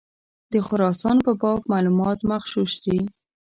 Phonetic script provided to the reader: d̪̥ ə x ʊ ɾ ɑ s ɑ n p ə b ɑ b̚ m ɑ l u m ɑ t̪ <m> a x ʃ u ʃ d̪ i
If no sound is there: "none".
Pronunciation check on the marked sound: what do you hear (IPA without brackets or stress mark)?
m